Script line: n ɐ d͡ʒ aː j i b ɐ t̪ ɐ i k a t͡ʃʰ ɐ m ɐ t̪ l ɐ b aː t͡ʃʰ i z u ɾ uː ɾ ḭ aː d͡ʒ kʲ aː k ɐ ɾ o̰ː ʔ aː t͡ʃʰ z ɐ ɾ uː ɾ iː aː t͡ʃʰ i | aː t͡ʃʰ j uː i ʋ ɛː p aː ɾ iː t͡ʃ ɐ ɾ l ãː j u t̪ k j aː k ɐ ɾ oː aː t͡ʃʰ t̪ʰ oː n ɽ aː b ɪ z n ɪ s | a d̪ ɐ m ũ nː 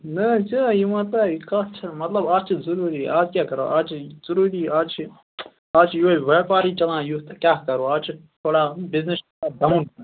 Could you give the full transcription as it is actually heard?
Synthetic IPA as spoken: n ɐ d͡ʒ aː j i m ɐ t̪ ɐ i k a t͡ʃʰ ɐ m ɐ t̪ l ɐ b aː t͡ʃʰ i z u ɾ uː ɾ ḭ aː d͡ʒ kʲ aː k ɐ ɾ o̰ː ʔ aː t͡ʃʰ z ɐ ɾ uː ɾ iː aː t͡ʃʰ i | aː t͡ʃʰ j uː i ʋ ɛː p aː ɾ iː t͡ʃ ɐ l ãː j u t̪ k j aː k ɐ ɾ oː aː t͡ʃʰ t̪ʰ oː ɽ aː b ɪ z n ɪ s | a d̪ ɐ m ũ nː